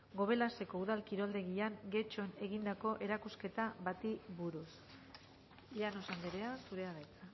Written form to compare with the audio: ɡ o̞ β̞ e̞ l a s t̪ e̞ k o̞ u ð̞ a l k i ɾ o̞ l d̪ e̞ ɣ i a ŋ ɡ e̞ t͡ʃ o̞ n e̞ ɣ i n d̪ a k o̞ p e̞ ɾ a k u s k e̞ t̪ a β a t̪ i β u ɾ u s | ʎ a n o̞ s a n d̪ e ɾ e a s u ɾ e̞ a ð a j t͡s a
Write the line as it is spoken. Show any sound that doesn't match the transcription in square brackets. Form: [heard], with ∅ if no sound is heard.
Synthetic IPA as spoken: ɡ o̞ β̞ e̞ l a s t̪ e̞ k o̞ u ð̞ a l k i ɾ o̞ l d̪ e̞ ɣ i a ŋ ɡ e̞ t͡ʃ o̞ n e̞ ɣ i n d̪ a k o̞ [ʔ] e̞ ɾ a k u s k e̞ t̪ a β a t̪ i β u ɾ u s | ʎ a n o̞ s a n d̪ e ɾ e a s u ɾ e̞ a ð a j t͡s a